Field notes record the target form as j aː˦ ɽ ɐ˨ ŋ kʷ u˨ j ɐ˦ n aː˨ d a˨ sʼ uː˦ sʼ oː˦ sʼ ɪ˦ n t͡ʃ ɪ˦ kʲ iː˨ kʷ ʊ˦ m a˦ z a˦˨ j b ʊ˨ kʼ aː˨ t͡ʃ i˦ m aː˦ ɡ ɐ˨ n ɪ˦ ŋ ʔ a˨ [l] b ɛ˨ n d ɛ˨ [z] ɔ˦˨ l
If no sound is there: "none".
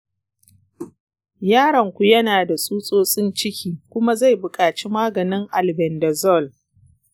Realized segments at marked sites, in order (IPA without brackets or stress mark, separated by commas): l, z